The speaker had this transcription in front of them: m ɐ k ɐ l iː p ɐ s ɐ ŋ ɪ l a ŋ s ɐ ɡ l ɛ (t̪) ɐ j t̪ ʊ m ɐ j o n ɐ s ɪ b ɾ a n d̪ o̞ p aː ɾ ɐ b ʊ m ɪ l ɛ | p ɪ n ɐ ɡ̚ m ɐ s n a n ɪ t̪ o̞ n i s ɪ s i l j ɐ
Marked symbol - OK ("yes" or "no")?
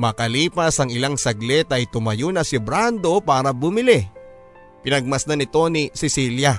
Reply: yes